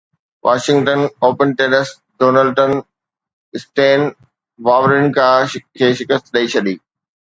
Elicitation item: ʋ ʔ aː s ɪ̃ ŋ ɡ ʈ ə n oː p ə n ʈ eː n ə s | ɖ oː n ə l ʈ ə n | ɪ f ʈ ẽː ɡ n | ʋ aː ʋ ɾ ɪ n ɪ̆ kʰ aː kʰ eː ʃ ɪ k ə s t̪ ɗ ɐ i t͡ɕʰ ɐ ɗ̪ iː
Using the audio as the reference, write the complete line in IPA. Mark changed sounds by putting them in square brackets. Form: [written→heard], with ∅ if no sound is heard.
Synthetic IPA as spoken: ʋ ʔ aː [s→ʃ] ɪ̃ ŋ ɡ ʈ ə n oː p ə n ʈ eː n ə s | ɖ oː n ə l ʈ ə n | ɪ [f→s] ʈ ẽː [ɡ→∅] n | ʋ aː ʋ ɾ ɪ n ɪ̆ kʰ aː kʰ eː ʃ ɪ k ə s t̪ ɗ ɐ i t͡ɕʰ ɐ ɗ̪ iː